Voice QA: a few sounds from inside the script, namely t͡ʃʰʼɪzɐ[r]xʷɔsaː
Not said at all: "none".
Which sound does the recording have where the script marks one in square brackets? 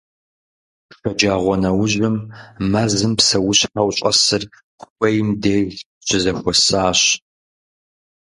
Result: none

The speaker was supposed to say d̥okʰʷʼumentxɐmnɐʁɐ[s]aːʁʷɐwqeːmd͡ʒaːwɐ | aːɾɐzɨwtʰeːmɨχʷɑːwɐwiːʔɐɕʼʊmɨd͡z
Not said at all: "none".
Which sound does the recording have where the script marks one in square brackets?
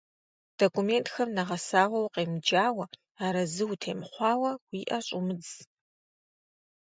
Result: s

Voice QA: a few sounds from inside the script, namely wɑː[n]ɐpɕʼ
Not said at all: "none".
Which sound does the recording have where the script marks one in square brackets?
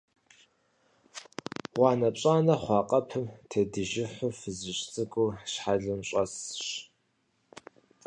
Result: n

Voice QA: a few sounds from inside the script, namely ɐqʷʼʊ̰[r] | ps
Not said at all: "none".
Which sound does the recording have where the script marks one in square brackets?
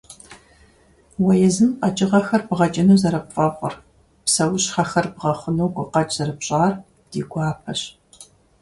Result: r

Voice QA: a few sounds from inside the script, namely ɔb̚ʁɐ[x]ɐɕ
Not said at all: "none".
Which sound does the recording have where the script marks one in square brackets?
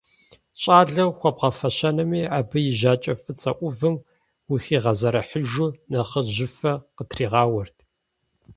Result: f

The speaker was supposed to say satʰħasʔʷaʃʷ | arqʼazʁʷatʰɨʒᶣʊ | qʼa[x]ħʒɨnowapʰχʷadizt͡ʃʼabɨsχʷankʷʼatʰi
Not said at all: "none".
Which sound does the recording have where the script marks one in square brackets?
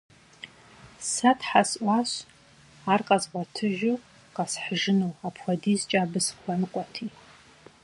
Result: s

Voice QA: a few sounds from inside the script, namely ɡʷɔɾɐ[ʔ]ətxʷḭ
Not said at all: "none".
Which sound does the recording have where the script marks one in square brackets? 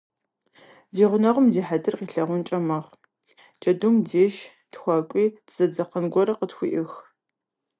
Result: q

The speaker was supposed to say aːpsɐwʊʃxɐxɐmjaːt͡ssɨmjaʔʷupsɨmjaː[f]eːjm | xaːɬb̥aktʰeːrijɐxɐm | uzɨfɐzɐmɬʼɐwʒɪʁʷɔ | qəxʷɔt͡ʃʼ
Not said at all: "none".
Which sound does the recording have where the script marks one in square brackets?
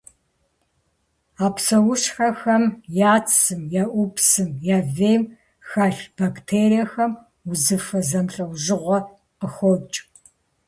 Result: v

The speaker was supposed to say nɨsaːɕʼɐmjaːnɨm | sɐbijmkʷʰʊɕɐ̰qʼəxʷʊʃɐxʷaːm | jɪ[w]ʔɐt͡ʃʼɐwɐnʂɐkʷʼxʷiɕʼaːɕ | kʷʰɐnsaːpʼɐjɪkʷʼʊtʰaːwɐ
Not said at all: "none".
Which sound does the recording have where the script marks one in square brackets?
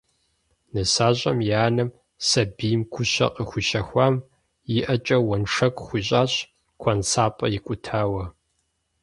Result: none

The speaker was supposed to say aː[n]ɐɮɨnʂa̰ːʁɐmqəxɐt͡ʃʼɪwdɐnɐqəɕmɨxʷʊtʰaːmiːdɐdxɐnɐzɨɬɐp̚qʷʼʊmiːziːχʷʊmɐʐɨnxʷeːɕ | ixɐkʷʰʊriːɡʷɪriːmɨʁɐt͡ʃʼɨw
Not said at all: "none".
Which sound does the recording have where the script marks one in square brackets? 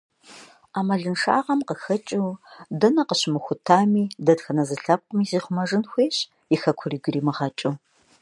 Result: m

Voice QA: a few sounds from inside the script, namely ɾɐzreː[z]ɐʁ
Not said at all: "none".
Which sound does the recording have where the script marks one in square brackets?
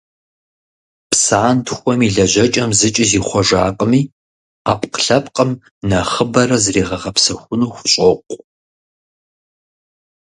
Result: ʁ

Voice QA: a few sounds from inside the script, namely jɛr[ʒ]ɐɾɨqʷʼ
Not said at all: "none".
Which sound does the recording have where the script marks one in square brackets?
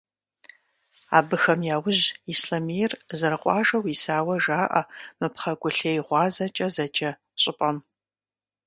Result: z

